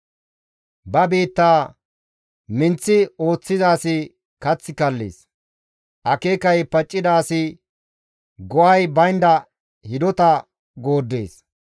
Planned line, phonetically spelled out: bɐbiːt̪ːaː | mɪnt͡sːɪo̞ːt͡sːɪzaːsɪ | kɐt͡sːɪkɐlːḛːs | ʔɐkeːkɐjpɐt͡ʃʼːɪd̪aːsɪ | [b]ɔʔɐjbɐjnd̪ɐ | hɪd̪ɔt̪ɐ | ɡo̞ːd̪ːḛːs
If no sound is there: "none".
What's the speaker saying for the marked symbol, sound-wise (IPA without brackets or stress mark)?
ɡ